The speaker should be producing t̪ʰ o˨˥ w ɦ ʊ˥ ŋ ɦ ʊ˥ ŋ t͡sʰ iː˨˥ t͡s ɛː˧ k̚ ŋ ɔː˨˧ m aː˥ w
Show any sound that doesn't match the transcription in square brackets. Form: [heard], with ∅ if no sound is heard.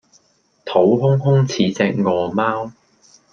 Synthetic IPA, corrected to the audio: t̪ʰ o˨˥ w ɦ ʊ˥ ŋ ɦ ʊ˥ ŋ t͡sʰ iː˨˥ t͡s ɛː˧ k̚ ŋ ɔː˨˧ m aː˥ w

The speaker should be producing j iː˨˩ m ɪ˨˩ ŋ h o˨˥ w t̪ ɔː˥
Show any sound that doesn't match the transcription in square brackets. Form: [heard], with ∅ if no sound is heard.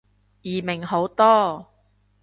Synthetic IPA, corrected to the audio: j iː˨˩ m ɪ˨˩ ŋ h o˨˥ w t̪ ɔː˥

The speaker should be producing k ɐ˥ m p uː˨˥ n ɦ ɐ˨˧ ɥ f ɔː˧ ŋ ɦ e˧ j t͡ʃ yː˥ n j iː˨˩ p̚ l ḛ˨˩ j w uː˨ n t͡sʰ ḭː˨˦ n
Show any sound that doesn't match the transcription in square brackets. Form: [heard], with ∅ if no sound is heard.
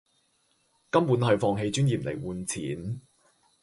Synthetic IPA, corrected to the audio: k ɐ˥ m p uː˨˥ n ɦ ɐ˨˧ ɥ f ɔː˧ ŋ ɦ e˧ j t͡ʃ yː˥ n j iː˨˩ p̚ l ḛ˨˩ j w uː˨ n t͡sʰ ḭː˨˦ n

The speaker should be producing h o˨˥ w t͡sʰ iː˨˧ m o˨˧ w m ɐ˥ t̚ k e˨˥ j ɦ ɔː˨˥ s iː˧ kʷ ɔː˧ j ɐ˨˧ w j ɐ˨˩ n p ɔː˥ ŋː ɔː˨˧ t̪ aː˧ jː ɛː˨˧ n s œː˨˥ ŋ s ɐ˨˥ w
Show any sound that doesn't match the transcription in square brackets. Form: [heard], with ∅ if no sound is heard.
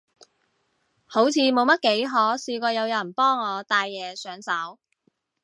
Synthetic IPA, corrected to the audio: h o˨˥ w t͡sʰ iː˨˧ m o˨˧ w m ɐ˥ t̚ k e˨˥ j ɦ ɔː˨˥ s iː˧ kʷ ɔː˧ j ɐ˨˧ w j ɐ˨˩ n p ɔː˥ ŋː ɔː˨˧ t̪ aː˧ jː ɛː˨˧ [∅] s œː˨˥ ŋ s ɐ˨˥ w

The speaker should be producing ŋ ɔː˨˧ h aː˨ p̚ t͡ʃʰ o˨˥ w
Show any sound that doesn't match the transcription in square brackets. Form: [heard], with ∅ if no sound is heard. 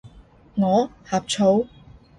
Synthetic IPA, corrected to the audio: ŋ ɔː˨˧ h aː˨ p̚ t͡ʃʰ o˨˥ w

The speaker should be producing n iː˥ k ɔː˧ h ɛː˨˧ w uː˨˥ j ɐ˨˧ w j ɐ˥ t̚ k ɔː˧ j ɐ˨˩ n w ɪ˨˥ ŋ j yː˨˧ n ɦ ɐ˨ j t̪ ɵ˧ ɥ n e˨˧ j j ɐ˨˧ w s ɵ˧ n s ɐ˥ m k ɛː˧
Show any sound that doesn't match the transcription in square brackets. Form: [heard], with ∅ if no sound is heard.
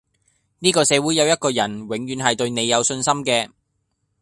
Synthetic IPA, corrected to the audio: n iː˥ k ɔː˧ [s] ɛː˨˧ w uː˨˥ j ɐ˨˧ w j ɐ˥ t̚ k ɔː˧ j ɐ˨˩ n w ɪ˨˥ ŋ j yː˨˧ n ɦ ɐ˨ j t̪ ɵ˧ ɥ n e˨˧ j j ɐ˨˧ w s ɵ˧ n s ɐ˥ m k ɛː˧

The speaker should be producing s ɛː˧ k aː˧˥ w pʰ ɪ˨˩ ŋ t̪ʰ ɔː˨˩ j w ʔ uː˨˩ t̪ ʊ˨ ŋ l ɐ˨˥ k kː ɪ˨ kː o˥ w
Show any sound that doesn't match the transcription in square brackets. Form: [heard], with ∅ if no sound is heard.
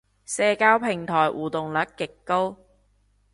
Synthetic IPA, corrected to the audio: s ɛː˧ k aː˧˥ w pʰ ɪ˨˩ ŋ t̪ʰ ɔː˨˩ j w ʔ uː˨˩ t̪ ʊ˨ ŋ l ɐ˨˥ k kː ɪ˨ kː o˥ w

